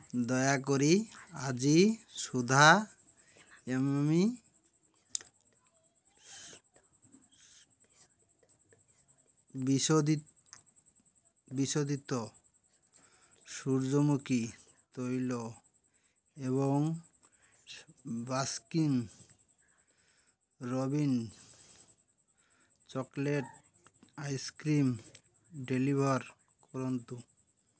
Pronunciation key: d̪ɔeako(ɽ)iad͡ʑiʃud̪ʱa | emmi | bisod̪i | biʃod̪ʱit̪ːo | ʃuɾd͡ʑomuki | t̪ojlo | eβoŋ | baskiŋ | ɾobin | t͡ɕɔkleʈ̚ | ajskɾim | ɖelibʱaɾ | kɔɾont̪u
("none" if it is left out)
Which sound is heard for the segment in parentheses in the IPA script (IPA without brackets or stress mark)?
ɾ